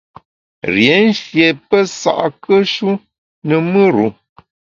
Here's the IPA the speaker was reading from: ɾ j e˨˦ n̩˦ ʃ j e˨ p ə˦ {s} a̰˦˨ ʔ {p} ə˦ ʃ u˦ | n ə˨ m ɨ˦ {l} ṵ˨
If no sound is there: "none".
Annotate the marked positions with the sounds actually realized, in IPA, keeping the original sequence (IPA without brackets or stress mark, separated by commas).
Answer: s, k, ɾ